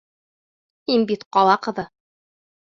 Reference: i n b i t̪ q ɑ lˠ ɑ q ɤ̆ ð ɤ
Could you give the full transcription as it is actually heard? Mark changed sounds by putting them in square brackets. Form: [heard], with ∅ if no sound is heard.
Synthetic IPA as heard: i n b i t̪ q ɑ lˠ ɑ q ɤ̆ ð ɤ